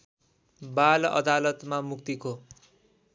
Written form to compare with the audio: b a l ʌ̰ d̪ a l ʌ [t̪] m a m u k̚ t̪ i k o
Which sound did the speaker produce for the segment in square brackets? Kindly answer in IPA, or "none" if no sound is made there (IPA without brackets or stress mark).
t̪